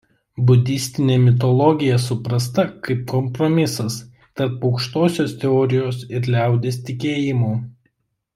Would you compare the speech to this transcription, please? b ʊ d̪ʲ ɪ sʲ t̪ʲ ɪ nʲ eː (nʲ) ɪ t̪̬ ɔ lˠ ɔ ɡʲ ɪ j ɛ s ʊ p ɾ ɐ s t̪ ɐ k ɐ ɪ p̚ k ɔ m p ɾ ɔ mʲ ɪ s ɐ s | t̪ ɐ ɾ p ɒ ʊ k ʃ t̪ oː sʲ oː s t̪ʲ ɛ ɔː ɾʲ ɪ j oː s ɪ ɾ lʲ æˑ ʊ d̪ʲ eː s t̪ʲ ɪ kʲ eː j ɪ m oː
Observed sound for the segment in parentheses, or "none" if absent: mʲ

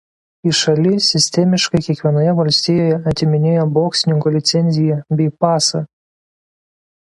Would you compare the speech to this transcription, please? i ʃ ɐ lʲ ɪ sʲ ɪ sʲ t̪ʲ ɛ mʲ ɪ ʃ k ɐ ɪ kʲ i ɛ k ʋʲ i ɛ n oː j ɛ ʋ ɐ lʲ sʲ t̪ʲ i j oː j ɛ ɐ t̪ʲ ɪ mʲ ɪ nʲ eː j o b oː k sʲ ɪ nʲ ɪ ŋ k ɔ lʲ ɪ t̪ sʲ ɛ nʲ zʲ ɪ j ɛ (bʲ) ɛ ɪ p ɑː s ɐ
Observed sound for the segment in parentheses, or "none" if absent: bʲ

